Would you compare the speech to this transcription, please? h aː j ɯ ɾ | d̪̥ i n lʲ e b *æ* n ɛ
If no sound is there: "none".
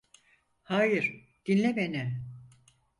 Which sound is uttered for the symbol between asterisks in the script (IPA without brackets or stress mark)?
e